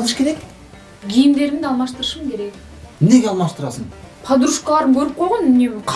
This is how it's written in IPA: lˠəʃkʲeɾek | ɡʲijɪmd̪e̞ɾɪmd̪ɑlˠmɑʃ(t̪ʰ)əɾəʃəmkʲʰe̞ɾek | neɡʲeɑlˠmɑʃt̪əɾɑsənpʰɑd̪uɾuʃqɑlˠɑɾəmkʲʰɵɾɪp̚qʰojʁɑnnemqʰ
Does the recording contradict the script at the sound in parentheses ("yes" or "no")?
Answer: yes